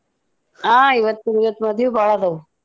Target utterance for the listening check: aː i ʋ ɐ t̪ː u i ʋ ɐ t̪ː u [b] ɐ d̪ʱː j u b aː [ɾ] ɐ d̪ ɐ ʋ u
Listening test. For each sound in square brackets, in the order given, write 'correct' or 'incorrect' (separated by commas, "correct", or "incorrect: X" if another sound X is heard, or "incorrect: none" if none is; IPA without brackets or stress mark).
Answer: incorrect: m, incorrect: ɭ